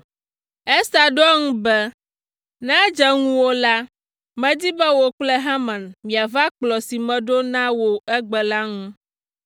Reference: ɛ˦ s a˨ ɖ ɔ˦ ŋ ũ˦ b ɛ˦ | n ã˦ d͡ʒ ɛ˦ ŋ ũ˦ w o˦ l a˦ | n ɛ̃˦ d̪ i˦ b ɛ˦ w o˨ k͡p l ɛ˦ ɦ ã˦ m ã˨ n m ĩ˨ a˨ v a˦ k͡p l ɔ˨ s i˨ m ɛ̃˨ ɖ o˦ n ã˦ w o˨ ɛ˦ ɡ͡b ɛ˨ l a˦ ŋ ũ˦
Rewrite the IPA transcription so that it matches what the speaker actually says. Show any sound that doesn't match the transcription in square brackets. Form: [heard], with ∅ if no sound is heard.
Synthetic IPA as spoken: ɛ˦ s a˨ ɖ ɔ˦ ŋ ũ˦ b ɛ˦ | n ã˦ d͡ʒ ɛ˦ ŋ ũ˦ w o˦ l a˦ | [m] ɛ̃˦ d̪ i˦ b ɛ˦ w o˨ k͡p l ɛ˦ ɦ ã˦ m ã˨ n m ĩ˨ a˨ v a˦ k͡p l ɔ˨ s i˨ m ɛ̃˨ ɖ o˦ n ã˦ w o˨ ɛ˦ ɡ͡b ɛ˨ l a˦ ŋ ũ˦